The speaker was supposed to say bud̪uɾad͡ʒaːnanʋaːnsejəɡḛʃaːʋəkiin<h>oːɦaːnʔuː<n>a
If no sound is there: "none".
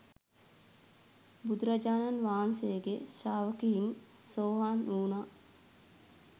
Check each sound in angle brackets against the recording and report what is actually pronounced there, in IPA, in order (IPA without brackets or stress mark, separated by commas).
s, n